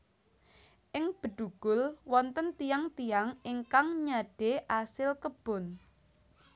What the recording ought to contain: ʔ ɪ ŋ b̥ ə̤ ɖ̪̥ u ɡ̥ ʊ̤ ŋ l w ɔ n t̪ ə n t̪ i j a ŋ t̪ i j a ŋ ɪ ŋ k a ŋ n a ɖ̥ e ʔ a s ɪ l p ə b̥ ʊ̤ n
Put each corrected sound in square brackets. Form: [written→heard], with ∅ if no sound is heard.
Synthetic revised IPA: ʔ ɪ ŋ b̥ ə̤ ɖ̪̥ u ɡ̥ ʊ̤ [ŋ→∅] l w ɔ n t̪ ə n t̪ i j a ŋ t̪ i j a ŋ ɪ ŋ k a ŋ [n→ɲ] a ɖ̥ e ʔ a s ɪ l [p→k] ə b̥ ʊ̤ n